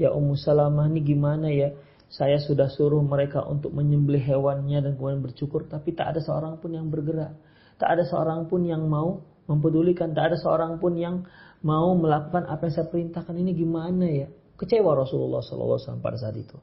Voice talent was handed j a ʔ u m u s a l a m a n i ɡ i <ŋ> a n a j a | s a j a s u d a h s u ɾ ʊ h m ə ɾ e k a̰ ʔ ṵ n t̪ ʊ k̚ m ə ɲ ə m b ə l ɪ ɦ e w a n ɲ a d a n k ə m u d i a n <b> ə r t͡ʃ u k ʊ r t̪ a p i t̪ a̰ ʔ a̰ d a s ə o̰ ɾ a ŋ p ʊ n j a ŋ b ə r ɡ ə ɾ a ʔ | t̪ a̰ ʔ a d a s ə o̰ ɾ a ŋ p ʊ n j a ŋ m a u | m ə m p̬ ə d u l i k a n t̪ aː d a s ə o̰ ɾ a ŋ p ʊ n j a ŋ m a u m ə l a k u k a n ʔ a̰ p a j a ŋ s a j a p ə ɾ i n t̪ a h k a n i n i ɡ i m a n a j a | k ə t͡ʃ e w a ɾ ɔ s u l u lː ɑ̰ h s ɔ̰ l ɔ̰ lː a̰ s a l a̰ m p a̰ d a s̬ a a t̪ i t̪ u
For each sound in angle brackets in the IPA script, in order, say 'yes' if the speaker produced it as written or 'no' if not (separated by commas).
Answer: no, yes